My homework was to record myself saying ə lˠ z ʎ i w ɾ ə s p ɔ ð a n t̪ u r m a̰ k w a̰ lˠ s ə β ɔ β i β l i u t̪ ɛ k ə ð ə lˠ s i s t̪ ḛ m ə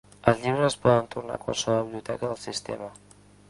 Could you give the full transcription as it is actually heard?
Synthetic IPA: ə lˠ z ʎ i β ɾ ə s p ɔ ð ə n t̪ u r n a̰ k w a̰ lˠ s ə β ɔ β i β l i u t̪ ɛ k ə ð ə lˠ s i s t̪ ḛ m ə